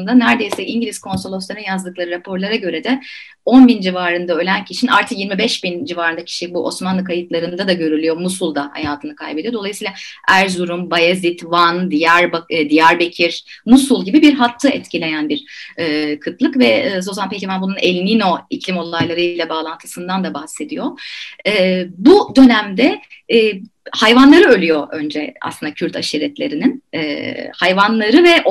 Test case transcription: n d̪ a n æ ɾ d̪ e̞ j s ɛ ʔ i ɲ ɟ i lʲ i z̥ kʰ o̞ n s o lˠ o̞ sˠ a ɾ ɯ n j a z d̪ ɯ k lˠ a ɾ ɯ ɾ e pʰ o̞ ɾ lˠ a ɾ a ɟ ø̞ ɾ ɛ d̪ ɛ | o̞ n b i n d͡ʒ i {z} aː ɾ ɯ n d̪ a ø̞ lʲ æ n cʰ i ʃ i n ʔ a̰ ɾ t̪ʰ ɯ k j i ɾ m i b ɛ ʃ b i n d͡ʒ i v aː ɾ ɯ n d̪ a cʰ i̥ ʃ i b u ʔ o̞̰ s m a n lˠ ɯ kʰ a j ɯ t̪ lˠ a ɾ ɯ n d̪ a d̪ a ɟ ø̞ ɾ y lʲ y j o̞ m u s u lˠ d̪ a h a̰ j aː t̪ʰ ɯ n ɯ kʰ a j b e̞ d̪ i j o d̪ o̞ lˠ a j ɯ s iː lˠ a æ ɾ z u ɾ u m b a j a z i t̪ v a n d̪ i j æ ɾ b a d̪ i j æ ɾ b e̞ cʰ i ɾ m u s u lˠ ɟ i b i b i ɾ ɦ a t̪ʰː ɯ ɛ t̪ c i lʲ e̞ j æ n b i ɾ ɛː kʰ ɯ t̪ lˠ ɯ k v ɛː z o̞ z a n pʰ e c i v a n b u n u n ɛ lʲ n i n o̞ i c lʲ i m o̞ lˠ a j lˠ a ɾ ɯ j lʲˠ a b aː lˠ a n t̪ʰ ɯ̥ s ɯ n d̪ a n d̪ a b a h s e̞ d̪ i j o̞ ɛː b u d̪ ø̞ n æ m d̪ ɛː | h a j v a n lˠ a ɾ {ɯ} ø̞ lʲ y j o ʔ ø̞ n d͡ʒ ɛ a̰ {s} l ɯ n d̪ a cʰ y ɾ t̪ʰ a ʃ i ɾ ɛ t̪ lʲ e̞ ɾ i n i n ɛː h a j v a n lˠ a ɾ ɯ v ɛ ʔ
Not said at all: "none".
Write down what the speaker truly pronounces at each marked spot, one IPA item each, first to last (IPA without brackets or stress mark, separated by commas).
v, ɯ, s